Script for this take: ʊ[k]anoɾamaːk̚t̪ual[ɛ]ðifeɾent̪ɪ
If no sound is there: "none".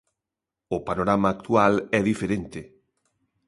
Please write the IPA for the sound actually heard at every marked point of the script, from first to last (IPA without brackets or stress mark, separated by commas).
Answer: p, ɛ